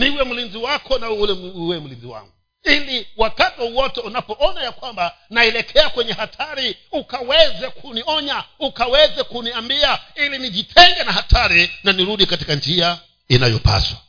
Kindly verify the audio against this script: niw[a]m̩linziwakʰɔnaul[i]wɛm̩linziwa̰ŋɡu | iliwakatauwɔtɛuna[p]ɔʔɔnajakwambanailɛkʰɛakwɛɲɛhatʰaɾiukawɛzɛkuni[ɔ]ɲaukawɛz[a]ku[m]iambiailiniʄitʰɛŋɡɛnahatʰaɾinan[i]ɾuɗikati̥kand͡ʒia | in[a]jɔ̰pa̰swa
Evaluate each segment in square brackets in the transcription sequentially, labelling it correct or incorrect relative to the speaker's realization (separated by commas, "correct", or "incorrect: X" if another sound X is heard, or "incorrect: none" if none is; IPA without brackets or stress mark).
incorrect: ɛ, incorrect: ɛ, correct, correct, incorrect: ɛ, incorrect: n, correct, correct